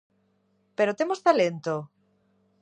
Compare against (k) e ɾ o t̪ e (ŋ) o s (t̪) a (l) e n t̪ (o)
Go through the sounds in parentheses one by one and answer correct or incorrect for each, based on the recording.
incorrect, incorrect, correct, correct, correct

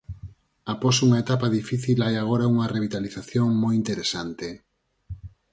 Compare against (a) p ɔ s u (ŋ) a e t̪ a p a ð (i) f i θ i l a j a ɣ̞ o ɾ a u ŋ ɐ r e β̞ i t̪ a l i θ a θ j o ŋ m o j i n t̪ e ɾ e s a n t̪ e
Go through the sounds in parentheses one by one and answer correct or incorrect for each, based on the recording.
correct, correct, correct

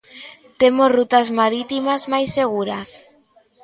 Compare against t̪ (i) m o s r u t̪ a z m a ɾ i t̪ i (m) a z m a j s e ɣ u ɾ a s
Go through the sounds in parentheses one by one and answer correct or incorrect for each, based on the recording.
incorrect, correct

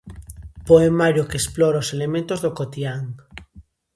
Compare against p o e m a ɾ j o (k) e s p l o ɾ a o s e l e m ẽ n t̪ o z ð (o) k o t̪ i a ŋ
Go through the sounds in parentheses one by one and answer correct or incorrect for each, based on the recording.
correct, correct

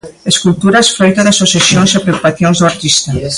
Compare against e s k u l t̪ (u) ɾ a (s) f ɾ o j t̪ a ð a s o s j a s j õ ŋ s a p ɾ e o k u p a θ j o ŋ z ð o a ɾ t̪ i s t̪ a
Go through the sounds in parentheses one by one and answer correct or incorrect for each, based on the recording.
correct, correct

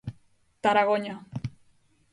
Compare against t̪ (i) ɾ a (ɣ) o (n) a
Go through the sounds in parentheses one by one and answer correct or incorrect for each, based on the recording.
incorrect, correct, incorrect

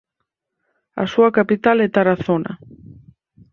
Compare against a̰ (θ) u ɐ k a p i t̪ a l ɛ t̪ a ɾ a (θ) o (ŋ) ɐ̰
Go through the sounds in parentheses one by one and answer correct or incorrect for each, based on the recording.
incorrect, correct, incorrect

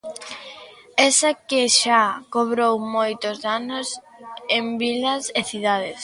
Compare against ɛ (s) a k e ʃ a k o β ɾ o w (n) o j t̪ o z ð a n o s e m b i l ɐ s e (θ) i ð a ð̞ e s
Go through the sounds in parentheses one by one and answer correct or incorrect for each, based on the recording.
correct, incorrect, correct

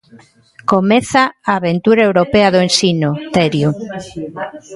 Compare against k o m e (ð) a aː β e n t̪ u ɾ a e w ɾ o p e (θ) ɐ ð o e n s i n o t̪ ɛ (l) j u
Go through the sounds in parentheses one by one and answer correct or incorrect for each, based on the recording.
incorrect, incorrect, incorrect

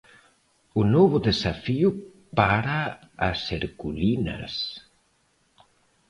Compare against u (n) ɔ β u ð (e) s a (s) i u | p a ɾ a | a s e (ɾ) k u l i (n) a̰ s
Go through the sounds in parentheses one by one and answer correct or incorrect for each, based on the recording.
correct, correct, incorrect, correct, correct

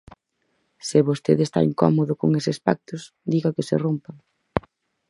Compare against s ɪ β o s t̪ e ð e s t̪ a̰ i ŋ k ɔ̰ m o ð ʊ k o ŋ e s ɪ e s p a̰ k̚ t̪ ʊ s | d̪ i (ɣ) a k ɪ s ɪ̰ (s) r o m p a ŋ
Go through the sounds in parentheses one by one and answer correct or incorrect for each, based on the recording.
correct, incorrect

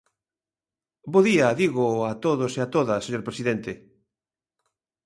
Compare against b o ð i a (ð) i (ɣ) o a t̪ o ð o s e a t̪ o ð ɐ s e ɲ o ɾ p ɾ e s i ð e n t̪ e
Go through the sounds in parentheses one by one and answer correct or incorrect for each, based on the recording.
correct, correct

